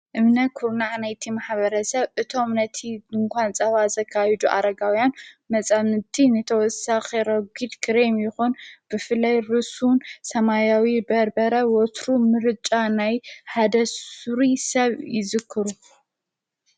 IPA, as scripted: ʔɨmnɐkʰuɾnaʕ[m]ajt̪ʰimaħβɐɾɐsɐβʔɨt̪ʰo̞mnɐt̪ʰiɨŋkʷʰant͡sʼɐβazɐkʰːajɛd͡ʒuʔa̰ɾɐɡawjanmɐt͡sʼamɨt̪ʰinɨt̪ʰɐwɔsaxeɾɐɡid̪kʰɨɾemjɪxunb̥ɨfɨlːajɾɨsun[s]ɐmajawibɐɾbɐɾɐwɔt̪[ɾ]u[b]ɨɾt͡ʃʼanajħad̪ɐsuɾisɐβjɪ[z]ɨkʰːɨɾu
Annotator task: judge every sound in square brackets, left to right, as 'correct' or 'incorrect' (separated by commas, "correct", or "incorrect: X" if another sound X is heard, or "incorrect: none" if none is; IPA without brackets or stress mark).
incorrect: n, correct, correct, incorrect: m, correct